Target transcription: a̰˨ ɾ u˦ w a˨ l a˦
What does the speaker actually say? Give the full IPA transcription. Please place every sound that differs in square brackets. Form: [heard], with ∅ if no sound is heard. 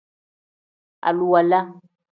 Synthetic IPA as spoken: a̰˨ [l] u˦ w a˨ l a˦